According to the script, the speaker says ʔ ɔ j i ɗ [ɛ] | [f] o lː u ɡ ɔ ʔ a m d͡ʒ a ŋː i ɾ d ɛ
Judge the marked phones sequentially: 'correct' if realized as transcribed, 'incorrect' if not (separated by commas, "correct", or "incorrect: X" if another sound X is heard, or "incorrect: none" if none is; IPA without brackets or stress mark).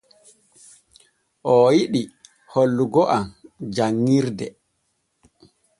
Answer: incorrect: i, incorrect: h